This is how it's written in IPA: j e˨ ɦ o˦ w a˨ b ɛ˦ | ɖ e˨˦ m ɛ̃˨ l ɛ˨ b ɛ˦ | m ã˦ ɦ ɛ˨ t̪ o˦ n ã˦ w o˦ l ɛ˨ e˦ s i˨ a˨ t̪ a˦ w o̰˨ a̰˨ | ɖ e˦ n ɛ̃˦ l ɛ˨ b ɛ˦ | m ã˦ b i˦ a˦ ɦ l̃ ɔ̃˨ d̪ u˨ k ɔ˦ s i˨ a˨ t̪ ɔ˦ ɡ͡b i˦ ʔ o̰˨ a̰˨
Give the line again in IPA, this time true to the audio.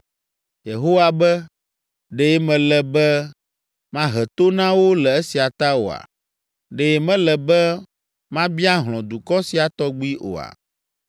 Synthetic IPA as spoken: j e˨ ɦ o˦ w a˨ b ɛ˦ | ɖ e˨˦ m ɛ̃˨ l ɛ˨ b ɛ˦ | m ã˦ ɦ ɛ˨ t̪ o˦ n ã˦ w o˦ l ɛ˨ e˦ s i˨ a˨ t̪ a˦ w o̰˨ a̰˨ | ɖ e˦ m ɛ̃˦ l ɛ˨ b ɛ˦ | m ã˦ b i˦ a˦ ɦ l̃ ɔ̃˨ d̪ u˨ k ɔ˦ s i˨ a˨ t̪ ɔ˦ ɡ͡b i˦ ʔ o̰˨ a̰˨

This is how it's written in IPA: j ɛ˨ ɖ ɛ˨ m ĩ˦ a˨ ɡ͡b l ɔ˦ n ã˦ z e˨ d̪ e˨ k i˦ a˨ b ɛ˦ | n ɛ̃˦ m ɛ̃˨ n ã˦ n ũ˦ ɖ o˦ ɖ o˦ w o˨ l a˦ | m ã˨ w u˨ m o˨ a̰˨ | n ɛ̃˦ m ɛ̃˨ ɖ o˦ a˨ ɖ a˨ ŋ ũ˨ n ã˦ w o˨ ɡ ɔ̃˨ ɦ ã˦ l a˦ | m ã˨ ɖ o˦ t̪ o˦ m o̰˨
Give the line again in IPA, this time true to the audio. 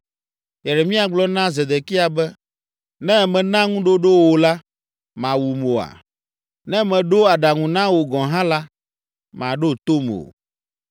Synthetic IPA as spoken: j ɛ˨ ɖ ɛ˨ m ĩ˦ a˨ ɡ͡b l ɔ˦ n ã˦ z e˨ d̪ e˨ k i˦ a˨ b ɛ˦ | n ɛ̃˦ m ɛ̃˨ n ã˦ ŋ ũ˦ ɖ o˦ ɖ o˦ w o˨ l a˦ | m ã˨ w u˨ m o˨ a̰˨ | n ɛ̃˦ m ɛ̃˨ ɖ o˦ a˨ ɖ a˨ ŋ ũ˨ n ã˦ w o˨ ɡ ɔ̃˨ ɦ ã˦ l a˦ | m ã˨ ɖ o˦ t̪ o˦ m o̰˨

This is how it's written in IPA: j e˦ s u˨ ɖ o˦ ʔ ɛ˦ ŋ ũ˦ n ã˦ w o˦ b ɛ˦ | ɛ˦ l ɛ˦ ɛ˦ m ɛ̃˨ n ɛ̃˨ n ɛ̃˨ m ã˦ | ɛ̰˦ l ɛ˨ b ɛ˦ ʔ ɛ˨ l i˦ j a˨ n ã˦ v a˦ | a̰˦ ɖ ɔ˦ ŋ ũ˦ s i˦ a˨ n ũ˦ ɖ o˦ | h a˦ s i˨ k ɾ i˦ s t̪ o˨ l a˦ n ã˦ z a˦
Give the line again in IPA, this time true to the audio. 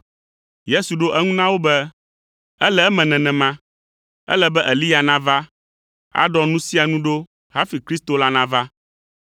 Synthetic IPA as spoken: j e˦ s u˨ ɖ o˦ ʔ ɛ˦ ŋ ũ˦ n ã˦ w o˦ b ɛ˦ | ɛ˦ l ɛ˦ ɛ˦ m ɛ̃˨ n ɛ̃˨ n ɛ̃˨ m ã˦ | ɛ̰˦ l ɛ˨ b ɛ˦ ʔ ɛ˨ l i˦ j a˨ n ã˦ v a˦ | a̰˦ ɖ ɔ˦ n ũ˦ s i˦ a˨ n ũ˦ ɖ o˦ | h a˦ f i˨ k ɾ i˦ s t̪ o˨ l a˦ n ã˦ v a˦

